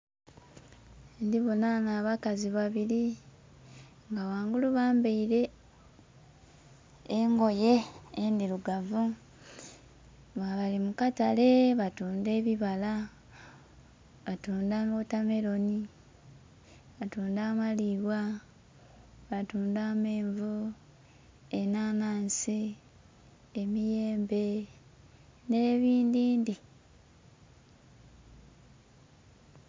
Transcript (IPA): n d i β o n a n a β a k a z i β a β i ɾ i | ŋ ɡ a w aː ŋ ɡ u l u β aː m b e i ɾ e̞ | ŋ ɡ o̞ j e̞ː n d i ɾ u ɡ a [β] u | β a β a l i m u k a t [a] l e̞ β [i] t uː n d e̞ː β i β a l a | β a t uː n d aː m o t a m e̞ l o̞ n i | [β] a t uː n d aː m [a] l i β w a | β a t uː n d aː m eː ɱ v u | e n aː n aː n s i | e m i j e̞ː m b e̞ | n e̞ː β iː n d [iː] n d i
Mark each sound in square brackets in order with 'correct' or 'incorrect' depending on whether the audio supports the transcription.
incorrect, correct, incorrect, correct, correct, correct

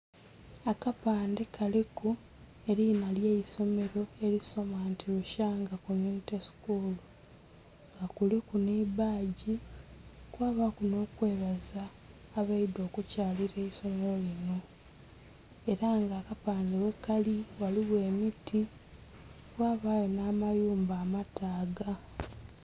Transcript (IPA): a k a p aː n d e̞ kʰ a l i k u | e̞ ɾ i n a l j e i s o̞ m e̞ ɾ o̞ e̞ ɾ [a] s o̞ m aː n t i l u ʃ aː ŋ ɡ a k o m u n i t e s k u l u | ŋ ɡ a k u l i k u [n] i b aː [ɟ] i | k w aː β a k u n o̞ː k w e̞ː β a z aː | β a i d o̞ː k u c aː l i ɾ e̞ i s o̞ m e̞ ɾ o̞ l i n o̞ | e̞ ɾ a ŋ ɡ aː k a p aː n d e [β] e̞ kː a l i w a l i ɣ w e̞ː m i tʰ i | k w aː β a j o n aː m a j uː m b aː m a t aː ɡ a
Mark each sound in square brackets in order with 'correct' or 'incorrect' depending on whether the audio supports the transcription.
incorrect, correct, correct, incorrect

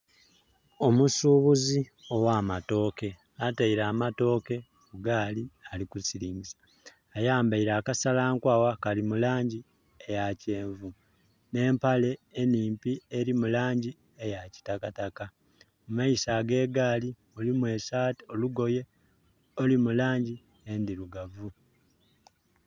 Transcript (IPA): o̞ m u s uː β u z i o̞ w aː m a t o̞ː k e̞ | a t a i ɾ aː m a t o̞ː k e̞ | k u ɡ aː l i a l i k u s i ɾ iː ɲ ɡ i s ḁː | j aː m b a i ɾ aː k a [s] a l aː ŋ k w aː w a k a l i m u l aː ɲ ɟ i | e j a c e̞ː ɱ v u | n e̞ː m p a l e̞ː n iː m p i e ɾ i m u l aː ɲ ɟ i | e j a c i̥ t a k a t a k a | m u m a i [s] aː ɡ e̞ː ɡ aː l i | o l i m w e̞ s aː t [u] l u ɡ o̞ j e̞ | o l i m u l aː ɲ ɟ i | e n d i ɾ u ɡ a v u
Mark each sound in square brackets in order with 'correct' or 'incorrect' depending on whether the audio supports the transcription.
correct, correct, incorrect

